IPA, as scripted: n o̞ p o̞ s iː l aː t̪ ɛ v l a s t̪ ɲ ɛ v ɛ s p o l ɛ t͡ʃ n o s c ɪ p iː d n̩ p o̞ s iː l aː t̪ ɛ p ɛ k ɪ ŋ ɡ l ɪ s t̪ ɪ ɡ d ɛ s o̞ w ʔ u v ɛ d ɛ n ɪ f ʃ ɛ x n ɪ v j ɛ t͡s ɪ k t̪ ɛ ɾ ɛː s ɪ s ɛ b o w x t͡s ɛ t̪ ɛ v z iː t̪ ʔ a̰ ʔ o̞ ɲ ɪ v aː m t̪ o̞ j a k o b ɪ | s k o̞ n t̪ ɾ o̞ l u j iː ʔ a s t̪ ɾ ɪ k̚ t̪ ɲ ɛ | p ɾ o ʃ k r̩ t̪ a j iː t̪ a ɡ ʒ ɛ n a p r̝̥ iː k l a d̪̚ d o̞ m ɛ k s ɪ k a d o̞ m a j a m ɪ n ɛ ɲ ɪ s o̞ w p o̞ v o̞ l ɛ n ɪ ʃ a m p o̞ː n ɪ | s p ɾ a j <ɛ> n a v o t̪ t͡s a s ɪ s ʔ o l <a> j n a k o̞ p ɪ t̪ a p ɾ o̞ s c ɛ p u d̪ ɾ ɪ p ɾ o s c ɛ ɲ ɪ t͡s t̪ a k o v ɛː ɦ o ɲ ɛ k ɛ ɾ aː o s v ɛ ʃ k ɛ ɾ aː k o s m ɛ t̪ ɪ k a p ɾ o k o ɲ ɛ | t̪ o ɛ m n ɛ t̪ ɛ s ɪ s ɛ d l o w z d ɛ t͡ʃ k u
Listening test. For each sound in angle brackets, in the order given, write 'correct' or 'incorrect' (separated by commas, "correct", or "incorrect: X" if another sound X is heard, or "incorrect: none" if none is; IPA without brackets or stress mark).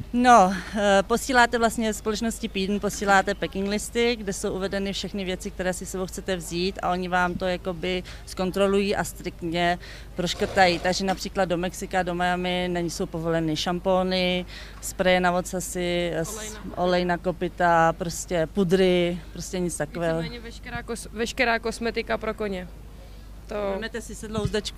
correct, incorrect: ɛ